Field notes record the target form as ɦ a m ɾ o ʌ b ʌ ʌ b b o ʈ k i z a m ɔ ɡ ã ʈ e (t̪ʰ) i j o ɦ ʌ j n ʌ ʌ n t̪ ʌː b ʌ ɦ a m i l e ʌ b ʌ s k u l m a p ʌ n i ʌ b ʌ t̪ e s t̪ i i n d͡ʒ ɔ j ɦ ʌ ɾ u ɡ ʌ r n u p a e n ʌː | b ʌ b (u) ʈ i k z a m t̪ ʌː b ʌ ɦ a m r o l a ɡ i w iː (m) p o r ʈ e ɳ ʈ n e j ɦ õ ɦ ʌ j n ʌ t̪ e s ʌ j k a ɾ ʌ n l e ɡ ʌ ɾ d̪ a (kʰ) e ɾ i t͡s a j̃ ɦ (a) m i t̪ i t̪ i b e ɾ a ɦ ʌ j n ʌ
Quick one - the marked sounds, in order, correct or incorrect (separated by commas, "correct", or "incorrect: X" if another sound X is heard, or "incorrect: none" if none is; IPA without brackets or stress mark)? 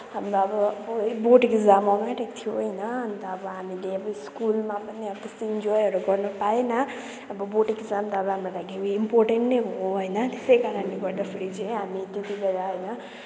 correct, incorrect: o, correct, incorrect: pʰ, correct